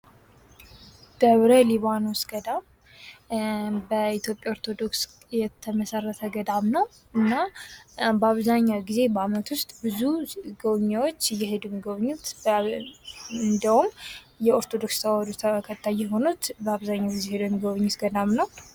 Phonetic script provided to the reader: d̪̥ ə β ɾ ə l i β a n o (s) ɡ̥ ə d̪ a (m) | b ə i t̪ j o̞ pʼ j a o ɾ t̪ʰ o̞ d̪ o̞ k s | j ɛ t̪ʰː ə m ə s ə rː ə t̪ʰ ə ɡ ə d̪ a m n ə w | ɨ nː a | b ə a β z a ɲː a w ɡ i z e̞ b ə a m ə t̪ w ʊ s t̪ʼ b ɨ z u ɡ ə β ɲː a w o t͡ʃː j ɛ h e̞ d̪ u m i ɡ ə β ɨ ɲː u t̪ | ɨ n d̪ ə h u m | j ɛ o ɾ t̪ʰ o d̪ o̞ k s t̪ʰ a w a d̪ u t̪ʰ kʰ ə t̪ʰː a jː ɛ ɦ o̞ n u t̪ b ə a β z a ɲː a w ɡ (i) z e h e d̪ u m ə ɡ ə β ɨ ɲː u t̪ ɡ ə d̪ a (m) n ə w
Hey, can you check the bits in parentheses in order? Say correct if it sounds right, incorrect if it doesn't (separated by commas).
correct, correct, correct, correct